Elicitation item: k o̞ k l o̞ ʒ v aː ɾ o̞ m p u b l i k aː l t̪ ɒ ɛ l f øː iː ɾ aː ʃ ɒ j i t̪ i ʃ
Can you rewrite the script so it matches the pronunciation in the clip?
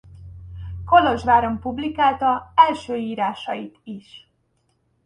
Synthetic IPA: k o̞ l o̞ ʒ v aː ɾ o̞ m p u b l i k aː l t̪ ɒ ɛ l ʃ øː iː ɾ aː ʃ ɒ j i t̪ i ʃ